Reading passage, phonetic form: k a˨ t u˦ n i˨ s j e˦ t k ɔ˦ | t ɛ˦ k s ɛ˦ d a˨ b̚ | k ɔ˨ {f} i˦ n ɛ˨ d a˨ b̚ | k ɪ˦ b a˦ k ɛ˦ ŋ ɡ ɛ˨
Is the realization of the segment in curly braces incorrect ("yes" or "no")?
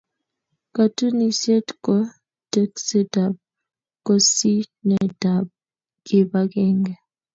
yes